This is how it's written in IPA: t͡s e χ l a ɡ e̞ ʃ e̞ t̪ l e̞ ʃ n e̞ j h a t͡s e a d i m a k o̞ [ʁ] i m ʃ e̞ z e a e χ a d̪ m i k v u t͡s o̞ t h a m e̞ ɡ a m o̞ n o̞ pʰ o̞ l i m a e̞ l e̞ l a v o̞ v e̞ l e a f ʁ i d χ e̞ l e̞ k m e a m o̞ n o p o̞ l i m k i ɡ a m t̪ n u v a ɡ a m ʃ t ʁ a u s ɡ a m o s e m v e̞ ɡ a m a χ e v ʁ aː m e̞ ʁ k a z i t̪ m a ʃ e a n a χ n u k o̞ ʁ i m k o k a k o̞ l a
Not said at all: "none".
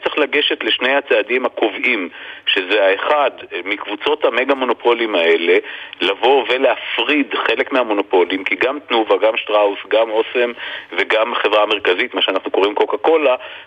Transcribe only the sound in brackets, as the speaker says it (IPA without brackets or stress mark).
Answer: v